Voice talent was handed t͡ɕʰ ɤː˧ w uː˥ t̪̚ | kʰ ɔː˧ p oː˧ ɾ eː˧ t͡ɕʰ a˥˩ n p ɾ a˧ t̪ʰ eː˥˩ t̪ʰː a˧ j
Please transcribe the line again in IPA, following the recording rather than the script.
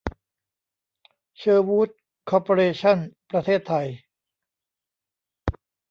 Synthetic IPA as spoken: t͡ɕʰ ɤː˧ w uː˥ t̪̚ | kʰ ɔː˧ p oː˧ ɾ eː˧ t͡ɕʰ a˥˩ n p ɾ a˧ t̪ʰ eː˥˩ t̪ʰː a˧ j